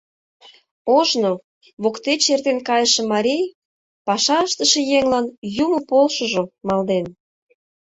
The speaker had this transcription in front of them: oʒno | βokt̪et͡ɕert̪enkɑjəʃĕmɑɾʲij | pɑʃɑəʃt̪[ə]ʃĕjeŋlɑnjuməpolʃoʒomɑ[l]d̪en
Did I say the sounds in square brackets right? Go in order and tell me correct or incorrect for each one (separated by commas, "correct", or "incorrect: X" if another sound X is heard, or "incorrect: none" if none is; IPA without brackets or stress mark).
correct, correct